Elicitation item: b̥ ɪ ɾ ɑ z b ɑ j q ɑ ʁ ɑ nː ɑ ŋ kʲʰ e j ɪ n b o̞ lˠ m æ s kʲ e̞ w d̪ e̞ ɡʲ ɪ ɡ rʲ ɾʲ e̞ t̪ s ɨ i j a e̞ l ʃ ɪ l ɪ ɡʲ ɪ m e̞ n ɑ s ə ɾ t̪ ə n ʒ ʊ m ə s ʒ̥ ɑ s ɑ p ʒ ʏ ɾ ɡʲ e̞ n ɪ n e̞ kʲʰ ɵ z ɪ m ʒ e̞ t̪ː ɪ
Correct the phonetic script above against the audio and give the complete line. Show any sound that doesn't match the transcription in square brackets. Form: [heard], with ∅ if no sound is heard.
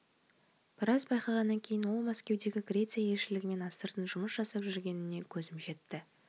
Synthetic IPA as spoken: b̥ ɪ ɾ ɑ z b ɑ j q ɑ ʁ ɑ nː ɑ ŋ kʲʰ e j ɪ n [w] o̞ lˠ m æ s kʲ e̞ w d̪ e̞ ɡʲ ɪ ɡ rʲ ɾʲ e̞ t̪ s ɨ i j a e̞ l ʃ ɪ l ɪ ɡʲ ɪ m e̞ n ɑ s ə ɾ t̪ ə n ʒ ʊ m ə s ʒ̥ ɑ s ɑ p ʒ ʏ ɾ ɡʲ e̞ n ɪ n e̞ kʲʰ ɵ z ɪ m ʒ e̞ t̪ː ɪ